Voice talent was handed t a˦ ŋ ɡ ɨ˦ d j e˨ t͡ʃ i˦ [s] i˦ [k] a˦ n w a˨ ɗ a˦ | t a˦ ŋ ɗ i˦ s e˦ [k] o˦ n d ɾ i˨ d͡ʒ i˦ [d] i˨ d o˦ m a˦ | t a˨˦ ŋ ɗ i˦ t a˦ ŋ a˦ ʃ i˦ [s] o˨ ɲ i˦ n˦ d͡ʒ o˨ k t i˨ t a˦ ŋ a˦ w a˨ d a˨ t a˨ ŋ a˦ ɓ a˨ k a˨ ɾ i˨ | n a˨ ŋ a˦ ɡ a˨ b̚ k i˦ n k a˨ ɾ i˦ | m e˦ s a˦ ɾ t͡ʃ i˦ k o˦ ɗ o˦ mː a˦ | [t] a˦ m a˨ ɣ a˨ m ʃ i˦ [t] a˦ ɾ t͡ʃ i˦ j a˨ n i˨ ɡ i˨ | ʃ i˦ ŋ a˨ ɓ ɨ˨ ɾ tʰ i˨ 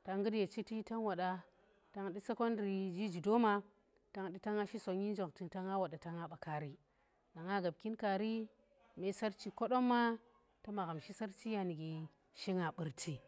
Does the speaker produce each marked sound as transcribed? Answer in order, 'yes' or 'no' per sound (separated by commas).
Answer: no, no, yes, no, yes, yes, no